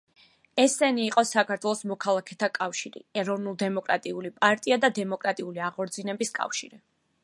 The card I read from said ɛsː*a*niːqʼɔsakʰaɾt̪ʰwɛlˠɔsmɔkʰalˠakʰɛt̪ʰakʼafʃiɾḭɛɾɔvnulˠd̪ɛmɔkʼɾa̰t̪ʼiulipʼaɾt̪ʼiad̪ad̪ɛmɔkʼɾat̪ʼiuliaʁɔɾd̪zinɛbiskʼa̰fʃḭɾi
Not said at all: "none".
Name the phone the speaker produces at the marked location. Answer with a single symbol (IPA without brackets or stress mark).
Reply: ɛ